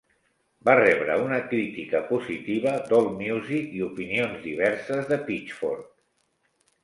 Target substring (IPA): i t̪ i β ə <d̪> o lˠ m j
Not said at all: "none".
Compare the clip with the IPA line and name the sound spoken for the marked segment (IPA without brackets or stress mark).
d̪